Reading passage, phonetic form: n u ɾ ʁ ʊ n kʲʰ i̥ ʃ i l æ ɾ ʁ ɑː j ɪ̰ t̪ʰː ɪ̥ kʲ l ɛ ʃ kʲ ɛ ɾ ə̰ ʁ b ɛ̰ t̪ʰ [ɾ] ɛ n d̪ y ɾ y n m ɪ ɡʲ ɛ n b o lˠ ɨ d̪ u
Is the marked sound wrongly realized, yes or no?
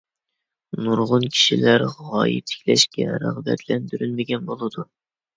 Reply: yes